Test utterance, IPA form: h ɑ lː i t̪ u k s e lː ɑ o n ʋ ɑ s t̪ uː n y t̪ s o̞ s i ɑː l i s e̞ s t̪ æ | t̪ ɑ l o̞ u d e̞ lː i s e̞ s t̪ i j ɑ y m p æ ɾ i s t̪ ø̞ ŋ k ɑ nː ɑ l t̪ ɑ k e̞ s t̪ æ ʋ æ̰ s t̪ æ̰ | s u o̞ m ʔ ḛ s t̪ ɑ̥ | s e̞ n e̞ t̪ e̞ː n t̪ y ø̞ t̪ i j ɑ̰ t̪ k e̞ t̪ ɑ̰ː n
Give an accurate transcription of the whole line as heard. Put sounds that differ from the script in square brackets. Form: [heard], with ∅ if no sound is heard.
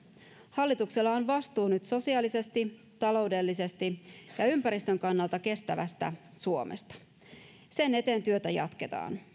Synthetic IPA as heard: h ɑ lː i t̪ u k s e lː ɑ o n ʋ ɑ s t̪ uː n y t̪ s o̞ s i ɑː l i s e̞ s t̪ [i] | t̪ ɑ l o̞ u d e̞ lː i s e̞ s t̪ i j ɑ y m p æ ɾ i s t̪ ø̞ ŋ k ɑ nː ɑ l t̪ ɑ k e̞ s t̪ æ ʋ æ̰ s t̪ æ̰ | s u o̞ m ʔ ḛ s t̪ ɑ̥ | s e̞ n e̞ t̪ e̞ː n t̪ y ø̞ t̪ [æ] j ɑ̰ t̪ k e̞ t̪ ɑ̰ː n